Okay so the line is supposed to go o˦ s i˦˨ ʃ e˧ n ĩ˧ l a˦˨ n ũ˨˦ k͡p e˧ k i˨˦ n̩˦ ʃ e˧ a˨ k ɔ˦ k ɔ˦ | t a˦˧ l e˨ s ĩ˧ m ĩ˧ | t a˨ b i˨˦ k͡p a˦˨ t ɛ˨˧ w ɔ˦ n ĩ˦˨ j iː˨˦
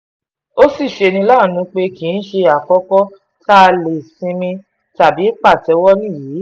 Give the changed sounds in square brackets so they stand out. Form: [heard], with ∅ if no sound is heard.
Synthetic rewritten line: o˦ s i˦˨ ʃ e˧ n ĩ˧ l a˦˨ n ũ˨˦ k͡p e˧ k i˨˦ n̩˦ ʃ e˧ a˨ k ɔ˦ k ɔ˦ | t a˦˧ l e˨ s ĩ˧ m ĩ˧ | t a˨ b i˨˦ k͡p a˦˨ t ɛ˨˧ w ɔ˦ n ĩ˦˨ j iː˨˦